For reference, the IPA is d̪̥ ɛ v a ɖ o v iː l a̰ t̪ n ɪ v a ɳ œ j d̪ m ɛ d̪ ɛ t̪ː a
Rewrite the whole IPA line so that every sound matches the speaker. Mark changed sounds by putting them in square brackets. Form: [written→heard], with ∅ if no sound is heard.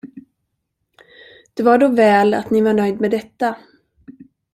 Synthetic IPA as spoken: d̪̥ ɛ v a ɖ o v [iː→ɛː] l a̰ t̪ n ɪ v a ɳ œ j d̪ m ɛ d̪ ɛ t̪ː a